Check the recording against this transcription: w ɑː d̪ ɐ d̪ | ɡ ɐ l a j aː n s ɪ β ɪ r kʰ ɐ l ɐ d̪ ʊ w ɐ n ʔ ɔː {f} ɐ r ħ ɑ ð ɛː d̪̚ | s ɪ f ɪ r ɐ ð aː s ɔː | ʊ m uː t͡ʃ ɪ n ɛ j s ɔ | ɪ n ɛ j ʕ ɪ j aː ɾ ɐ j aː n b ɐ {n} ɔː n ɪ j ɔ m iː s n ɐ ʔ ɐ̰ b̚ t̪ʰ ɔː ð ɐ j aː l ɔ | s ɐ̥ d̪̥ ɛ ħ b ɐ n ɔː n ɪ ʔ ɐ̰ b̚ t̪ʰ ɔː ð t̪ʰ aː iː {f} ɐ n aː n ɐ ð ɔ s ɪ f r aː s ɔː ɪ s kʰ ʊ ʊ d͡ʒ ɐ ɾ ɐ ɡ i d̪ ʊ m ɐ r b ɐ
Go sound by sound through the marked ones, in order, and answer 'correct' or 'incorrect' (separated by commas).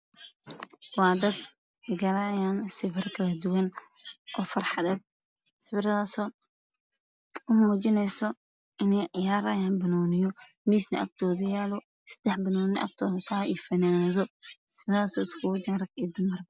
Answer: correct, correct, correct